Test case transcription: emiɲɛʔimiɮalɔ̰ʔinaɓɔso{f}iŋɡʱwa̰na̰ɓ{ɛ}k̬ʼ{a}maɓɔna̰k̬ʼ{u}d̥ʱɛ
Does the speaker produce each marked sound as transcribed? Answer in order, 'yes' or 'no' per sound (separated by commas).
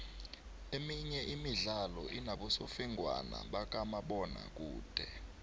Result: yes, no, yes, no